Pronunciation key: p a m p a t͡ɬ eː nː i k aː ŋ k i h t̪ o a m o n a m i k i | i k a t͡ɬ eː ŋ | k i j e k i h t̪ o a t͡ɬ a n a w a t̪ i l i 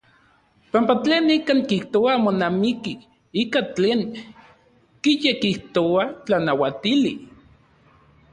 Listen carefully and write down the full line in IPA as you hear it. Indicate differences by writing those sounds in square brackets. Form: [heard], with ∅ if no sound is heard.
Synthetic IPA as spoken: p a m p a t͡ɬ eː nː i k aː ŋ k i h t̪ o a m o n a m i k i | i k a t͡ɬ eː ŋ | k i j e k i h t̪ o a t͡ɬ a n a w a t̪ i l i